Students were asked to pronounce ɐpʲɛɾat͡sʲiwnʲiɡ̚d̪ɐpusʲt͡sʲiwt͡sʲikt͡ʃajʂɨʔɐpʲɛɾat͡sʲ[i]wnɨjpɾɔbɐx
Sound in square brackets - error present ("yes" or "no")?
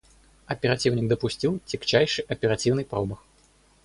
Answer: no